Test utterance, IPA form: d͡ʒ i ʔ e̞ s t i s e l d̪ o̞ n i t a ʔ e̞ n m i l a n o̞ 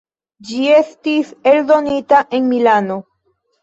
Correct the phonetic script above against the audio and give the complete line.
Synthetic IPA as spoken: d͡ʒ i e̞ s t i s e l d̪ o̞ n i t a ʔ e̞ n m i l a n o̞